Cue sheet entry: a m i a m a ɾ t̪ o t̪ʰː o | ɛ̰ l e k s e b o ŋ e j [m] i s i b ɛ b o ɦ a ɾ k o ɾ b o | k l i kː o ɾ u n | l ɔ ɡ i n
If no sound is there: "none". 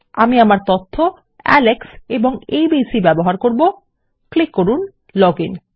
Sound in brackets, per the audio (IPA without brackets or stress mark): b